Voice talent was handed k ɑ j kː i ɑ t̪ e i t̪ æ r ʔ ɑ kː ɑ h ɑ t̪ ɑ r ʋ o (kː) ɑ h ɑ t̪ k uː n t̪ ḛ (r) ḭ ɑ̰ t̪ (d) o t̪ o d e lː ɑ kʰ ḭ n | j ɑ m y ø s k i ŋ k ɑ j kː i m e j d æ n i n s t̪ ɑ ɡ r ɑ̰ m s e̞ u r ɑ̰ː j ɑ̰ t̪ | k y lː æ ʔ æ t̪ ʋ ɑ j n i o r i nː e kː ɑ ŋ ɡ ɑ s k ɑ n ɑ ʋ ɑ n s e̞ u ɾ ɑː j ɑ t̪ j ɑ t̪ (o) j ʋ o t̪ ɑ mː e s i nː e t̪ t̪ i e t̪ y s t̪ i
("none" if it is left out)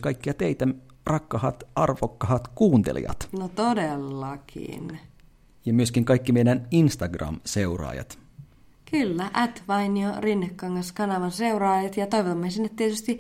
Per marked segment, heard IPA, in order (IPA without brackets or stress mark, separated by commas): kː, l, n, o